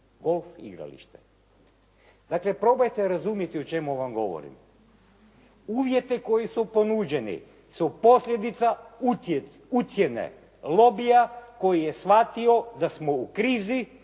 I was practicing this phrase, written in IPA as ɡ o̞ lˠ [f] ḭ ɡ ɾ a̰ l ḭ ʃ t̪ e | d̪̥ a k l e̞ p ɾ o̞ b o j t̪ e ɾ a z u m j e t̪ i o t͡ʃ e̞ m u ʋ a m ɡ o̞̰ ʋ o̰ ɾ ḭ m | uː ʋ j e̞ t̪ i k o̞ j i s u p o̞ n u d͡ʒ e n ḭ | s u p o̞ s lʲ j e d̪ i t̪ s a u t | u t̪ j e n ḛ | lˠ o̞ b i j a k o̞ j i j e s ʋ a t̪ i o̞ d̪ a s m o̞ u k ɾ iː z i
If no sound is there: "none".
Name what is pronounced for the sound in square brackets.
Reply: f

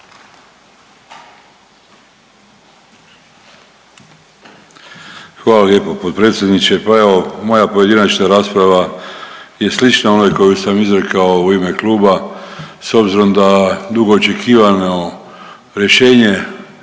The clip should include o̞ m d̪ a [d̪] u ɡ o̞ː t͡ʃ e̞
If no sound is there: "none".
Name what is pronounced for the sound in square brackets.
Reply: d̪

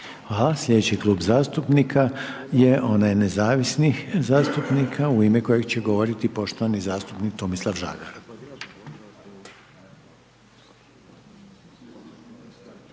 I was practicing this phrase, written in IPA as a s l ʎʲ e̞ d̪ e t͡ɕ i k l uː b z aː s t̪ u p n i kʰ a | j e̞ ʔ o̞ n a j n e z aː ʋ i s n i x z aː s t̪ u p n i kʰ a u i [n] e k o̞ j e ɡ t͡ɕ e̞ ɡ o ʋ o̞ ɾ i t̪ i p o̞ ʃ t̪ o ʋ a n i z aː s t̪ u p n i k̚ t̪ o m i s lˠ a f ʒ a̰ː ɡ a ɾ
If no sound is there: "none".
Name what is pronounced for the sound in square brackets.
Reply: m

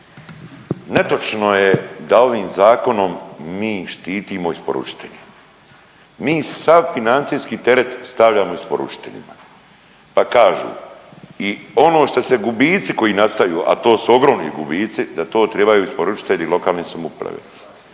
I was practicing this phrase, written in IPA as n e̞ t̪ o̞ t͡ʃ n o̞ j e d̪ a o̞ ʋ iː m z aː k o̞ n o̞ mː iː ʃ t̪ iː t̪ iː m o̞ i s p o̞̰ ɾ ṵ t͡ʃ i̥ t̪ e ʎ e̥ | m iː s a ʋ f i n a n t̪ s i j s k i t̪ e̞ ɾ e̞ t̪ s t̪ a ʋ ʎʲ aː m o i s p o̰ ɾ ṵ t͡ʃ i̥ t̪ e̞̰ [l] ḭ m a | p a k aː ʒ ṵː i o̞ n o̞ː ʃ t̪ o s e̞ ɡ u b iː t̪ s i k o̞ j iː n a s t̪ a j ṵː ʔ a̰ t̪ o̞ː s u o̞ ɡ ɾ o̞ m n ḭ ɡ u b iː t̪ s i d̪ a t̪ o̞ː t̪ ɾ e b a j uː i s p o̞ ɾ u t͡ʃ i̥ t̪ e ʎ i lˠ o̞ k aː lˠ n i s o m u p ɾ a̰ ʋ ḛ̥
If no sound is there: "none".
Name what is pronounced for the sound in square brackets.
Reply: ʎ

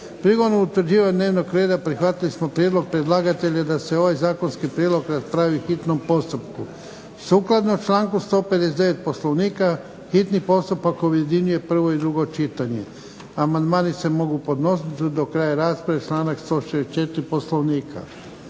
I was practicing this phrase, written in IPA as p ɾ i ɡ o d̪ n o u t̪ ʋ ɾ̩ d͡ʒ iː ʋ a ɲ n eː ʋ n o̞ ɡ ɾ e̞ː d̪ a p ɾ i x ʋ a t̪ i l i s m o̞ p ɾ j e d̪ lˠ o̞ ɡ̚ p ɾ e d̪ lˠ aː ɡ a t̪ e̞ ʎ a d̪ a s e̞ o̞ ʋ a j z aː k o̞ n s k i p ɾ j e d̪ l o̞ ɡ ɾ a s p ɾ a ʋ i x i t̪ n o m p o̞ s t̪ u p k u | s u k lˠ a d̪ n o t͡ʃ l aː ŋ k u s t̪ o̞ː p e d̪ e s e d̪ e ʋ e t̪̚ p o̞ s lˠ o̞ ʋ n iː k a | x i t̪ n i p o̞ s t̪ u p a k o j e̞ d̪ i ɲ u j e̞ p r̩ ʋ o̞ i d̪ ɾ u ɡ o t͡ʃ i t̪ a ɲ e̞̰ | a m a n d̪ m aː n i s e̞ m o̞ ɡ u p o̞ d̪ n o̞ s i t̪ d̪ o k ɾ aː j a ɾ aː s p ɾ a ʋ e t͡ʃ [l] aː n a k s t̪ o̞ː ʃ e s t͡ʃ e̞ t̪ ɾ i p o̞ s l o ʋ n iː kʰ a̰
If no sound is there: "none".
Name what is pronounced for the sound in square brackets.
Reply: l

